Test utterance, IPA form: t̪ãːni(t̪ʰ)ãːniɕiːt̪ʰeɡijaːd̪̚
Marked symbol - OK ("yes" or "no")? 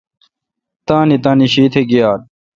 no